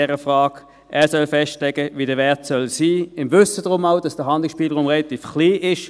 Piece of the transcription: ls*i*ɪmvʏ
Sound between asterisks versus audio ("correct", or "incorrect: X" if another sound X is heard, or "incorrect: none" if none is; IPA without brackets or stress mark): incorrect: iː